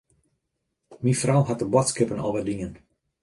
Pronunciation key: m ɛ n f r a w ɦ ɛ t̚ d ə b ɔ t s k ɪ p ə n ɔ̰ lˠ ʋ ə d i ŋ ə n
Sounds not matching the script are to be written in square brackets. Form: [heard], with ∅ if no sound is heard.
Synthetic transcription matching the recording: m [i] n f r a w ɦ [a] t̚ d ə b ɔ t s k ɪ p ə n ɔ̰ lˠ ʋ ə d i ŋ ə n

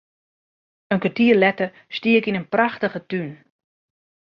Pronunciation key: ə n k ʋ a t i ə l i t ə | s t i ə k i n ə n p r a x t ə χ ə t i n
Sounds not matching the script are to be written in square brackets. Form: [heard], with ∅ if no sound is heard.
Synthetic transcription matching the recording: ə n k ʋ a t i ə l [ɛ] t ə | s t i ə k i n ə n p r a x t ə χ ə t [y] n

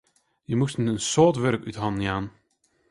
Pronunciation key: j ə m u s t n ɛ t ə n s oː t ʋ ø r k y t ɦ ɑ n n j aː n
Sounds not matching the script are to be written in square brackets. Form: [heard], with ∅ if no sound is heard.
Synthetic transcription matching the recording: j ə m u s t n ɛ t ə n s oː t ʋ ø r k y t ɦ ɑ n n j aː n

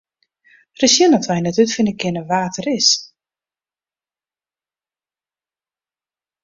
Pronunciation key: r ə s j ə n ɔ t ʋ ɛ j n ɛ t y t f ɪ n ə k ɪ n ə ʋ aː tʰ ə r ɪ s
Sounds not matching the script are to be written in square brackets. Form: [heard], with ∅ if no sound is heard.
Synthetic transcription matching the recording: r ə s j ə n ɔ t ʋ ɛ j n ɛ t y t f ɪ n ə k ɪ n ə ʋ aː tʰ ə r ɪ s

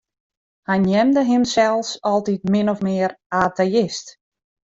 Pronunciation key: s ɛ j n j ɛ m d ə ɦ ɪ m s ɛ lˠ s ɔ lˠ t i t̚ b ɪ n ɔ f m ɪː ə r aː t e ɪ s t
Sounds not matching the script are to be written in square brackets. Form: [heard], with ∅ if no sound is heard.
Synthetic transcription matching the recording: [h] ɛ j n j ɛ m d ə ɦ ɪ m s ɛ lˠ s ɔ lˠ t i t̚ [m] ɪ n ɔ f m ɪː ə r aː t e ɪ s t

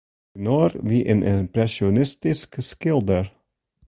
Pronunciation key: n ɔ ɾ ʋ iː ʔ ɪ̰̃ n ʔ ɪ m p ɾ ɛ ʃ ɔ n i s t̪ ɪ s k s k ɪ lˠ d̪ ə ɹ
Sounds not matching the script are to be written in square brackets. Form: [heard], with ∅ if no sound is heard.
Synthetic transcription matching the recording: n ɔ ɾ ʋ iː ʔ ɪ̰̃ n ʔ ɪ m p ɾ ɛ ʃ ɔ n [ɪ] s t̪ ɪ s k s k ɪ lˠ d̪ ə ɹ

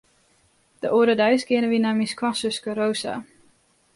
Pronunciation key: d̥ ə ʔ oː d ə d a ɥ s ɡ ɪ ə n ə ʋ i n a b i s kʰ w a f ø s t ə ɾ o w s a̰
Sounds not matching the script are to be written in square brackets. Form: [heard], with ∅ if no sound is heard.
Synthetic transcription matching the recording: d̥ ə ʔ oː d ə d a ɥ s ɡ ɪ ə n ə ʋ i n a [m] i s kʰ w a [s] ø s [k] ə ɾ o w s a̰

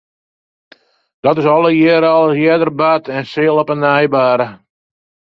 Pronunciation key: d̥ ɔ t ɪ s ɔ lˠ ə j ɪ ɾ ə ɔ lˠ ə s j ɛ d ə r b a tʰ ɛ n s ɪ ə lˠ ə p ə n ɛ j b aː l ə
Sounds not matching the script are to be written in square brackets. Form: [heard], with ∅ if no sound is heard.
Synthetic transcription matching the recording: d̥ ɔ t ɪ s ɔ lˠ ə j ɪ ɾ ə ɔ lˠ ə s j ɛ d ə r b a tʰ ɛ n s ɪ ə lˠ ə p ə n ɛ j b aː [ɾ] ə

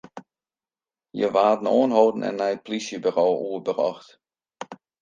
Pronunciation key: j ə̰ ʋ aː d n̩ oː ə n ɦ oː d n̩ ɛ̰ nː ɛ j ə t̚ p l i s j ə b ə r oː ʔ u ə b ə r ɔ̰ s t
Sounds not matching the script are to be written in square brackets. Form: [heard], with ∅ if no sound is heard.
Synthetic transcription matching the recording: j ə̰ ʋ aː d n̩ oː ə n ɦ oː d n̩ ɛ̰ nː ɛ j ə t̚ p l i s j ə b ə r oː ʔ u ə b ə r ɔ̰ [x] t

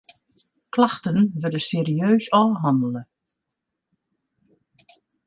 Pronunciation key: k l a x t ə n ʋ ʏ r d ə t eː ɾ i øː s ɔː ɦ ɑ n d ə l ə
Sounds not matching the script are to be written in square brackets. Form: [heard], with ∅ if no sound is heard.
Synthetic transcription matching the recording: k l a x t ə n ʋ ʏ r d ə [s] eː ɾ i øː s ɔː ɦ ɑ n d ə l ə

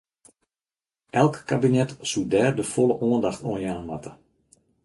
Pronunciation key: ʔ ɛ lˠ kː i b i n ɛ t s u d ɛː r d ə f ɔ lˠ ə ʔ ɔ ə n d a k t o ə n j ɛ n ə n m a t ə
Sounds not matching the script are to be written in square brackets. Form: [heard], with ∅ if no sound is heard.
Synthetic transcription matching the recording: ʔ ɛ lˠ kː [a] b i n ɛ t s u d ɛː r d ə f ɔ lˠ ə ʔ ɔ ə n d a [x] t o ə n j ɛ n ə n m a t ə

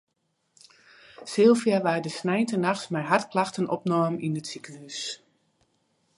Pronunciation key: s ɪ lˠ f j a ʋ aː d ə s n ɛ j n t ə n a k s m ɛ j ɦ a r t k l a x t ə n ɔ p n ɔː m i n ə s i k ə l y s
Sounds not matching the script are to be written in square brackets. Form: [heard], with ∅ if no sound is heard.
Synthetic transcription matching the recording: s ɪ lˠ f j a ʋ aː d ə s n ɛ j n t ə n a [x] s m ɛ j ɦ a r t k l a x t ə n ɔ p n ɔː m i n ə s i k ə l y s

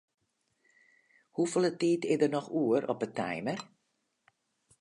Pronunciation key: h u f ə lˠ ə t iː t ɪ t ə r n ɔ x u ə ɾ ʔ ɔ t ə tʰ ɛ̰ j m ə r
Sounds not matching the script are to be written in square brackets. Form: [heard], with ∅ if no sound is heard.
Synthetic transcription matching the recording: h u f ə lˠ ə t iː t ɪ [d] ə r n ɔ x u ə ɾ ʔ ɔ [p] ə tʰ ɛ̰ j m ə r

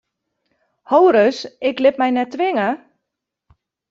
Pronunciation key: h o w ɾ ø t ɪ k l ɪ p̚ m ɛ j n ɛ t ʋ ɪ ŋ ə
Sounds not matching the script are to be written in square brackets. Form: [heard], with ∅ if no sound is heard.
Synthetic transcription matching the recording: h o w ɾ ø [s] ɪ k l ɪ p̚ m ɛ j n ɛ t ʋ ɪ ŋ ə

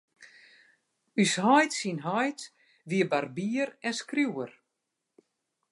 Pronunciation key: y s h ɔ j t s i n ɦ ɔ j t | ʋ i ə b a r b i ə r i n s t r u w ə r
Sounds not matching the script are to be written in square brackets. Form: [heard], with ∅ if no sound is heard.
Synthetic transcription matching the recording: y s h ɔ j t s i n ɦ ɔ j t | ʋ i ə b a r b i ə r [ɛ] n s [k] r u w ə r

